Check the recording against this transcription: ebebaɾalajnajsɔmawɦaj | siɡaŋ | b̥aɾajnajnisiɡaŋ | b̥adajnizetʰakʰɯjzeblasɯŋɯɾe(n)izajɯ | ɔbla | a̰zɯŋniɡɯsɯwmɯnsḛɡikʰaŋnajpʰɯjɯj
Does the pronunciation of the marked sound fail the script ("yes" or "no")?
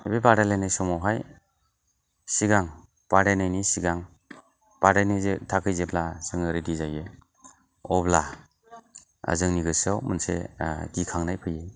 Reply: yes